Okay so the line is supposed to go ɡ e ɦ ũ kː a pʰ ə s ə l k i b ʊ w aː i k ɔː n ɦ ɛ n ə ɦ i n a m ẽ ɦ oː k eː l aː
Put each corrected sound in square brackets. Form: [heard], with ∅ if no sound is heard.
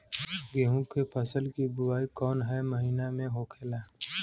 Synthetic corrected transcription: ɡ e ɦ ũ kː [e] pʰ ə s ə l k i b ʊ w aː i k ɔː n ɦ ɛ [m] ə ɦ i n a m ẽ ɦ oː [kʰ] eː l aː